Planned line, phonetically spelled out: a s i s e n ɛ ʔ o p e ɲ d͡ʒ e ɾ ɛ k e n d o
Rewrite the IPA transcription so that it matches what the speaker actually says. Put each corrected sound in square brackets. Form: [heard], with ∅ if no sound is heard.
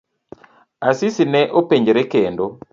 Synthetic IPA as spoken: a s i s [i] n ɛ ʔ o p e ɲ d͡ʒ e ɾ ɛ k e n d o

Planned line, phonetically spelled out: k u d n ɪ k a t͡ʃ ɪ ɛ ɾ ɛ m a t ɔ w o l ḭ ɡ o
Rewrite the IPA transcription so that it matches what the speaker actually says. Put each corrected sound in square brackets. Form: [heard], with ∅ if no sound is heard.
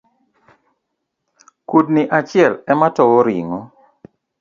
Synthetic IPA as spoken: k u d n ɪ [ʔ] a t͡ʃ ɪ ɛ [l] ɛ m a t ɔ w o [ɾ] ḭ [ŋ] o

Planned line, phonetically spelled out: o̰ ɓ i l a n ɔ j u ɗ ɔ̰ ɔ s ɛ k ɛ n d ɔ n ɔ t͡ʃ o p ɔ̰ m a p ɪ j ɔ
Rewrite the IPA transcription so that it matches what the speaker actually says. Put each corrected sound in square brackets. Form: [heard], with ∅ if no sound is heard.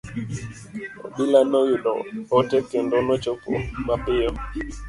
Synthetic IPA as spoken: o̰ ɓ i l a n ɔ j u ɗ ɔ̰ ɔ [t] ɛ k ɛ n d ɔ n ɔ t͡ʃ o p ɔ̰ m a p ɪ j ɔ

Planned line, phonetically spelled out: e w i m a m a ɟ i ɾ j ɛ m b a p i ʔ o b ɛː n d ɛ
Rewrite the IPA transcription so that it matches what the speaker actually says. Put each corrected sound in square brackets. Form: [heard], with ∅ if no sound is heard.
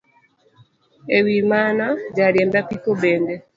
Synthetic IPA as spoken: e w i m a [n] a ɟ [a] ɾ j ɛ m b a p i [k] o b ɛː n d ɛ

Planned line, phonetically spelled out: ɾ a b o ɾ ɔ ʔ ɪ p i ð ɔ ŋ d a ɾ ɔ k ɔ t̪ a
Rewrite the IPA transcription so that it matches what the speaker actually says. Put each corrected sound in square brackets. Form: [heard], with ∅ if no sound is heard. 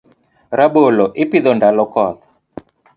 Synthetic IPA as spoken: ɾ a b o [l] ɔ ʔ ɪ p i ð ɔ [n] d a [l] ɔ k ɔ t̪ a

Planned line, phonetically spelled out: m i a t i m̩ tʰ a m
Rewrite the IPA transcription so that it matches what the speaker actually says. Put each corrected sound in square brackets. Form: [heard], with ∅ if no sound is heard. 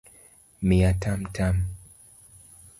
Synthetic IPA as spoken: m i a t [a] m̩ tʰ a m

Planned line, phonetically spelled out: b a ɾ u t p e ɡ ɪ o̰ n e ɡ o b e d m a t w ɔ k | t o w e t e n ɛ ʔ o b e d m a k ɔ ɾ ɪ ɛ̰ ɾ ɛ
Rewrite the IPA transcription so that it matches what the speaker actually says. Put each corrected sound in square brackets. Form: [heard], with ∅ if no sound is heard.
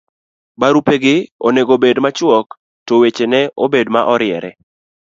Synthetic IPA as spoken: b a ɾ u [∅] p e ɡ ɪ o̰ n e ɡ o b e d m a [t͡ʃ] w ɔ k | t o w e [t͡ʃ] e n ɛ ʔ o b e d m a [ʔ] ɔ ɾ ɪ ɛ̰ ɾ ɛ

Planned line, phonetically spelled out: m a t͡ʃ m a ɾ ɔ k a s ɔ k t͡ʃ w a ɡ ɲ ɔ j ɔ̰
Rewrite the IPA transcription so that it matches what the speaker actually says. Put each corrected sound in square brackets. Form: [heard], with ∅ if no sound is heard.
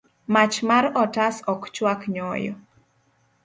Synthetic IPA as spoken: m a t͡ʃ m a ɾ ɔ [t] a s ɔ k t͡ʃ w a [k] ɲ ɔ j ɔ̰

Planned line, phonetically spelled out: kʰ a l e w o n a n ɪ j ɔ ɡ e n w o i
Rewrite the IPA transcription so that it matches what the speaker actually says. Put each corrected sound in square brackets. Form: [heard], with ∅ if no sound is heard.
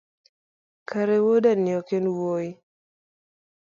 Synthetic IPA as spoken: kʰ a [ɾ] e w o [d] a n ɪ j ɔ [k] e n w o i

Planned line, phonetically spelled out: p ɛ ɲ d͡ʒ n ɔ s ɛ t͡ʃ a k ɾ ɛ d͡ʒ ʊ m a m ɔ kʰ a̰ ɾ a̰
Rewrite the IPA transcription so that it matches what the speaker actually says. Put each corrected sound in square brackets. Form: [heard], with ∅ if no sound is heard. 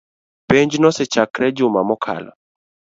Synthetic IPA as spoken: p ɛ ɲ d͡ʒ n ɔ s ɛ t͡ʃ a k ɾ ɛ d͡ʒ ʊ m a m ɔ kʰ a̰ [l] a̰

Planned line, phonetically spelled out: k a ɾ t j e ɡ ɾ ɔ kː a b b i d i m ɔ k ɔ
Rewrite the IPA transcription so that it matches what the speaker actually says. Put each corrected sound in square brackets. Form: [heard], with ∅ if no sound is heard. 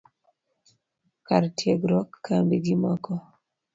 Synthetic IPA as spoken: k a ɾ t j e ɡ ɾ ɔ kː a [m] b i [ɡ] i m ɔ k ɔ

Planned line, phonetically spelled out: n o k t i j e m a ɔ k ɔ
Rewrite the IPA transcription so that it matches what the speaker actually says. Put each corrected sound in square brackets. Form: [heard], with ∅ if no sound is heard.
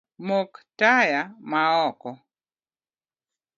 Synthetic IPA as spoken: [m] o k t [a] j [a] m a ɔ k ɔ

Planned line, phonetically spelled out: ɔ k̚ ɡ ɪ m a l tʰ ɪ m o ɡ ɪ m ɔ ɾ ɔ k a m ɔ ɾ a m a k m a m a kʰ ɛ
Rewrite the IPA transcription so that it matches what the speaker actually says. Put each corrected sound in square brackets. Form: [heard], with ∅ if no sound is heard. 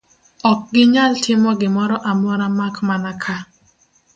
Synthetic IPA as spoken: ɔ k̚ ɡ ɪ [ɲ] a l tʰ ɪ m [ɔ] ɡ ɪ m ɔ ɾ ɔ [ʔ] a m ɔ ɾ a m a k m a [n] a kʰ [a]

